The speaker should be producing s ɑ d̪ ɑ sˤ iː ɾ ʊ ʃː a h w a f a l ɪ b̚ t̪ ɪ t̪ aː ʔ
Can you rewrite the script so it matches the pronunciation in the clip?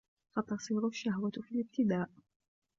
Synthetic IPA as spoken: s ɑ t̪ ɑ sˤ iː ɾ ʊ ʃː a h w a f i l ɪ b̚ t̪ ɪ d̪ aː ʔ